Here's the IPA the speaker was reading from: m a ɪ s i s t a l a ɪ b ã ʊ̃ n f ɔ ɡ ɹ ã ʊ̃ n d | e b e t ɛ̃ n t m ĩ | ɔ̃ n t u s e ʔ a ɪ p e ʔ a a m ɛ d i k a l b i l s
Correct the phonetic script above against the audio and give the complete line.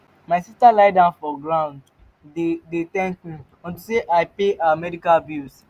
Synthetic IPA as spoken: m a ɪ s i s t a l a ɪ d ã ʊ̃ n f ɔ ɡ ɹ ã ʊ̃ n d | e d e t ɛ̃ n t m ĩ | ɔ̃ n t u s e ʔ a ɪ p e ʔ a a m ɛ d i k a l b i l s